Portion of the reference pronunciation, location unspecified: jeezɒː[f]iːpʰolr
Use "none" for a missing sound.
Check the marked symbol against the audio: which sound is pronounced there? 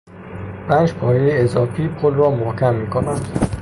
f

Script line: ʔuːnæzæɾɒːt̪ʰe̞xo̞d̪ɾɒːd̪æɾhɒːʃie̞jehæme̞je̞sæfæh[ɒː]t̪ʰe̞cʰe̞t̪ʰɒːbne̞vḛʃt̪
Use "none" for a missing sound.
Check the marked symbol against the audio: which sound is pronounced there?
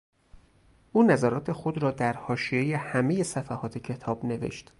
ɒː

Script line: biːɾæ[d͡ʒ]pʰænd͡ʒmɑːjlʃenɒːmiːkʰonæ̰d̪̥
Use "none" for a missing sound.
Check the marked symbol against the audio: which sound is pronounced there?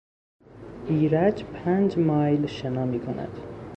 d͡ʒ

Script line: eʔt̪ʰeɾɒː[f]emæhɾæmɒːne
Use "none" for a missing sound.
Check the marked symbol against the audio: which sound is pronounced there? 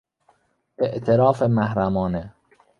f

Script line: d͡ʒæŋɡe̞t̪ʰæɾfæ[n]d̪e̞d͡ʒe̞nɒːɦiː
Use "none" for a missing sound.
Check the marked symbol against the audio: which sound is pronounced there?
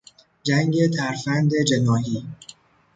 n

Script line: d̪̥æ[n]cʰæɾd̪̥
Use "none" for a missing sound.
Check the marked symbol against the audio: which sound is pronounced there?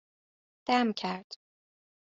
m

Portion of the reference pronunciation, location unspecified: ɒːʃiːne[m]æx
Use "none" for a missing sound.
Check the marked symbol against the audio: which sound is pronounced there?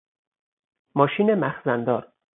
m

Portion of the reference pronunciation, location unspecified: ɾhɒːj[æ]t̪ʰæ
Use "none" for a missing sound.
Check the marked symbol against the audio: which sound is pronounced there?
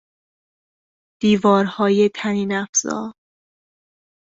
e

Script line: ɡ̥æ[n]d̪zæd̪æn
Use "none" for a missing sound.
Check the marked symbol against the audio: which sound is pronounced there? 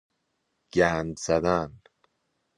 n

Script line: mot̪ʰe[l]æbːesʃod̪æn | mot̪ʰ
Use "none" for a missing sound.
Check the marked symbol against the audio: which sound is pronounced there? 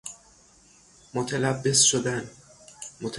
l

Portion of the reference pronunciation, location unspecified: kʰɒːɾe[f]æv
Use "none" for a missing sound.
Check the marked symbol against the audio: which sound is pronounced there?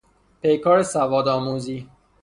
s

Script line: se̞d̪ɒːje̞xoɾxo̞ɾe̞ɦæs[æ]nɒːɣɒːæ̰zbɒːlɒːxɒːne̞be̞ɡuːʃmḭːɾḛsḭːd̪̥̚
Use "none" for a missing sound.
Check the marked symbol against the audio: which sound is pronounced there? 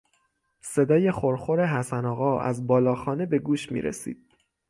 æ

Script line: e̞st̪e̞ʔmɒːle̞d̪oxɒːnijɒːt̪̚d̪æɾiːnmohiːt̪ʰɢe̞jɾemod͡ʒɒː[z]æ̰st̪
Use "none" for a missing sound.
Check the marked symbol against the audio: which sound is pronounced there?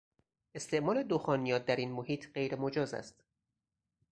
z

